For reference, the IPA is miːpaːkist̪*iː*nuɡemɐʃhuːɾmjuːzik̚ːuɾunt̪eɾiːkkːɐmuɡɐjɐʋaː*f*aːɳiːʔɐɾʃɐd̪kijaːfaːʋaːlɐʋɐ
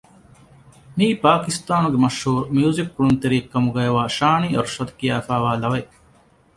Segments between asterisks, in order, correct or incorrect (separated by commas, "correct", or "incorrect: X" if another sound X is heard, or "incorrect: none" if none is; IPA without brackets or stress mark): incorrect: aː, incorrect: ʃ